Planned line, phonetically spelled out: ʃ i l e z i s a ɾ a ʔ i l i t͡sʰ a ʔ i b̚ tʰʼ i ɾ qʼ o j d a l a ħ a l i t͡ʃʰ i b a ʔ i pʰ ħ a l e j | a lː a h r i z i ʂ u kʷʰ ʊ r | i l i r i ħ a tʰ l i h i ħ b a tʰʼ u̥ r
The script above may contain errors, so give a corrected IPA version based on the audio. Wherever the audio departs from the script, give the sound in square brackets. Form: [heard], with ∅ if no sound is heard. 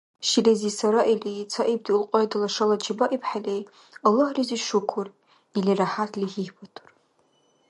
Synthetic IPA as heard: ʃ i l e z i s a ɾ a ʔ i l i t͡sʰ a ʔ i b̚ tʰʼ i [l] qʼ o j d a l a [ʂ] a l [a] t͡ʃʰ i b a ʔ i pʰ ħ a l e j | a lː a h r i z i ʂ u kʷʰ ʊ r | i l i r [a] ħ a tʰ l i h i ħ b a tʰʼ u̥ r